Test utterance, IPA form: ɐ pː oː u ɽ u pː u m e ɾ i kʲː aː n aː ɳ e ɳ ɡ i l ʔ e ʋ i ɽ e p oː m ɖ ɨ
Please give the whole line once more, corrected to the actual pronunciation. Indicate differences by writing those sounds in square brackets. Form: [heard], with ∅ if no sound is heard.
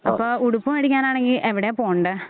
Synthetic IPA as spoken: ɐ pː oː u ɽ u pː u m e [ɽ] i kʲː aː n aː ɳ e [ŋ] ɡ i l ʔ e ʋ i ɽ e p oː [ɳ] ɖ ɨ